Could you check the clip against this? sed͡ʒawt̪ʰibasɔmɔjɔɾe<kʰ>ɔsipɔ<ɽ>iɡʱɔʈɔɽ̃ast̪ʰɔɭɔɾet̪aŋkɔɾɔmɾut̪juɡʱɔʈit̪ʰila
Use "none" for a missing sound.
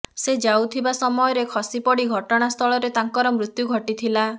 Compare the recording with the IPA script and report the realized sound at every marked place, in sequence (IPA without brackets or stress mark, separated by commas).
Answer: kʰ, ɽ